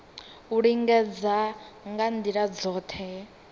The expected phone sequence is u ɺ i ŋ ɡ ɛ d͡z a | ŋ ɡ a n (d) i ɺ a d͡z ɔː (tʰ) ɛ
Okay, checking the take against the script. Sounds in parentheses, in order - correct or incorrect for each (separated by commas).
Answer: correct, correct